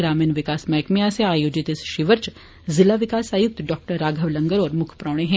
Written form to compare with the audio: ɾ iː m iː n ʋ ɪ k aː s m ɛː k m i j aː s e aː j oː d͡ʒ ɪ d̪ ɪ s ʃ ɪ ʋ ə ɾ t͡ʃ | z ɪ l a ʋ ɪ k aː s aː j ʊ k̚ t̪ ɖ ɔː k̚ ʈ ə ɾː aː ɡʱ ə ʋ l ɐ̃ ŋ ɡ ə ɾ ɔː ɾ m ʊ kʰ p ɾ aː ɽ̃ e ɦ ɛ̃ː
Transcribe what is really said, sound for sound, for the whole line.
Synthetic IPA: ɾ aː m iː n ʋ ɪ k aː s m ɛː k m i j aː s e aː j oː d͡ʒ ɪ t̪ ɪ s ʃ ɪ ʋ ə ɾ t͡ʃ | z ɪ l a ʋ ɪ k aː s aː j ʊ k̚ t̪ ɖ ɔː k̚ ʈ ə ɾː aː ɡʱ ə ʋ l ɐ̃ ŋ ɡ ə ɾ ɔː ɾ m ʊ kʰ p ɾ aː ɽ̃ e ɦ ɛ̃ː

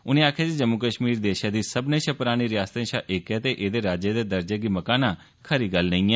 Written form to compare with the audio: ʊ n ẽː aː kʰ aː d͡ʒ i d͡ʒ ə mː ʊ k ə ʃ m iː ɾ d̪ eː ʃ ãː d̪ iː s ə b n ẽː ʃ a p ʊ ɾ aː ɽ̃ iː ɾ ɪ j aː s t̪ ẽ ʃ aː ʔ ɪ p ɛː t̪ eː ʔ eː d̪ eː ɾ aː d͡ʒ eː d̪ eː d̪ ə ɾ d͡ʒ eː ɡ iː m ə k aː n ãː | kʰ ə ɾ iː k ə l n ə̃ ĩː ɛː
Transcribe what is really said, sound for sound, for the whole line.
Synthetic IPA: ʊ n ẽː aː kʰ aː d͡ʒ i d͡ʒ ə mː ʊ k ə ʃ m iː ɾ d̪ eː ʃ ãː d̪ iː s ə b n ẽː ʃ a p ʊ ɾ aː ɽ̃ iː ɾ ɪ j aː s t̪ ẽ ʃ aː ʔ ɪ k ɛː t̪ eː ʔ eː d̪ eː ɾ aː d͡ʒ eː d̪ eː d̪ ə ɾ d͡ʒ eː ɡ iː m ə k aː n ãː | kʰ ə ɾ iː ɡ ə l n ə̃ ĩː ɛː

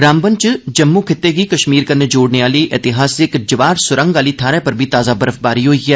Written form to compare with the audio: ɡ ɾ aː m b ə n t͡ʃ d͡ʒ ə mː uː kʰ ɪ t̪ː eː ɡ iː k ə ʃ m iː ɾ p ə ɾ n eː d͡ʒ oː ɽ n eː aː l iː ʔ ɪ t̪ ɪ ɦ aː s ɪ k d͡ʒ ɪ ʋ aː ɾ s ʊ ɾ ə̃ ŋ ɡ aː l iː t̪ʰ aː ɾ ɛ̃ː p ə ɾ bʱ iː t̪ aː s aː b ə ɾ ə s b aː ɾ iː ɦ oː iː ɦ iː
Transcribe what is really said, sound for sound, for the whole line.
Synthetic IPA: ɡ ɾ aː m b ə n t͡ʃ d͡ʒ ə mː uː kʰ ɪ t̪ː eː ɡ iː k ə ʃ m iː ɾ k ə ɾ n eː d͡ʒ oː ɽ n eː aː l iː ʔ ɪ t̪ ɪ ɦ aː s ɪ k d͡ʒ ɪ ʋ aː ɾ s ʊ ɾ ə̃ ŋ ɡ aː l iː t̪ʰ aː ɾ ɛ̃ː p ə ɾ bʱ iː t̪ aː z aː b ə ɾ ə f b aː ɾ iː ɦ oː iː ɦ ɛː

